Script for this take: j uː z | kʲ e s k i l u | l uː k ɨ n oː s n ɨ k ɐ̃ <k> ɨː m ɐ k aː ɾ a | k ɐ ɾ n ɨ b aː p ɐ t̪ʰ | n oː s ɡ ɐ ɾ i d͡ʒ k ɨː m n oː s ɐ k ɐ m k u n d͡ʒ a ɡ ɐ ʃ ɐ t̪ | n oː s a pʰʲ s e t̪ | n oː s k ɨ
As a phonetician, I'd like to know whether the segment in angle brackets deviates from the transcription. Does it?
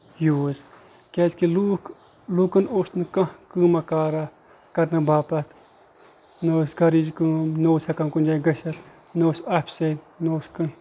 no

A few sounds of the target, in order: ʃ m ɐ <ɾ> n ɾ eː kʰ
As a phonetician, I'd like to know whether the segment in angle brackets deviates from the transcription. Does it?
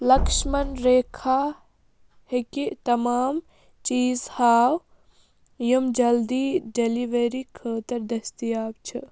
yes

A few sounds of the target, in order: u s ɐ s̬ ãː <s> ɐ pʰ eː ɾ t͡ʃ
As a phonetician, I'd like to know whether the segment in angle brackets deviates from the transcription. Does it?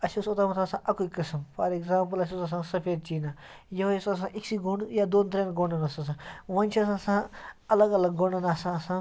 no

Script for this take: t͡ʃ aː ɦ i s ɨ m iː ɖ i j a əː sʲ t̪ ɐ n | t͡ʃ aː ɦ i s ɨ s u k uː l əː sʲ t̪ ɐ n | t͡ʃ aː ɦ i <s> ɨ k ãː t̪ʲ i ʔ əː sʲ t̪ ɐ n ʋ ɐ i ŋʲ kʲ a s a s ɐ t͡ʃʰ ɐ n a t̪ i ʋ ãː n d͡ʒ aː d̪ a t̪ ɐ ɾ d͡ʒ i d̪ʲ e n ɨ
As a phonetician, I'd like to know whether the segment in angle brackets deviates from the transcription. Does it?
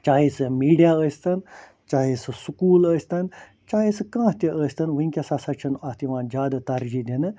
no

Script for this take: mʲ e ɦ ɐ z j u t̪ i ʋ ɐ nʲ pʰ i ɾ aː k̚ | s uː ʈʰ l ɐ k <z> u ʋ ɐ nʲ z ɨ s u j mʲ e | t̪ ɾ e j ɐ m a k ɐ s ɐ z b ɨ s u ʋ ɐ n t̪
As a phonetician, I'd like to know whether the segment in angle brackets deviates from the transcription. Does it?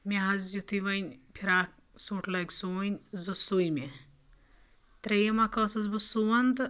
yes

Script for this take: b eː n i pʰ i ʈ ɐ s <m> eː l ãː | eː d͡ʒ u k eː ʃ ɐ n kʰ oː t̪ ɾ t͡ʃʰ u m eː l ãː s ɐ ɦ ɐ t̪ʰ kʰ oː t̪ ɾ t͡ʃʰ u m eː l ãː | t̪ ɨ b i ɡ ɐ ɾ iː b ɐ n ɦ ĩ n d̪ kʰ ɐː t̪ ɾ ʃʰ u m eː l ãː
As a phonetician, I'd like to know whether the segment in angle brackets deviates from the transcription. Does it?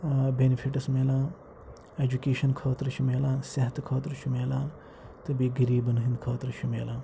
no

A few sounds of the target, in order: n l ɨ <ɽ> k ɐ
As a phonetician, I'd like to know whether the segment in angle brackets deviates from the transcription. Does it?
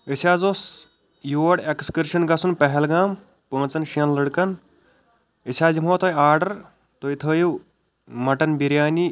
no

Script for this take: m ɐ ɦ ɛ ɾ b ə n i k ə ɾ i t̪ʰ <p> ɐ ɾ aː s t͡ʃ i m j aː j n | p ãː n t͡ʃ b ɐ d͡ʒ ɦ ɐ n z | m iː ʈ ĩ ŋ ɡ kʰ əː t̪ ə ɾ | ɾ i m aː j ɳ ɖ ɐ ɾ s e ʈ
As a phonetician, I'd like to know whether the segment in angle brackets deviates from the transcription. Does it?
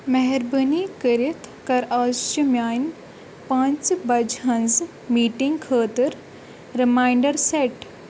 yes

